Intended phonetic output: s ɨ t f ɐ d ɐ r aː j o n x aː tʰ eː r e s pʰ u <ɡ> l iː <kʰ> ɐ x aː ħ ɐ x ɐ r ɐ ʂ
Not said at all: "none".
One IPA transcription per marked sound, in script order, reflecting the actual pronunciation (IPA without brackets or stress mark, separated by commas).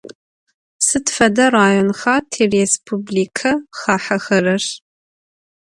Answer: b, kʰ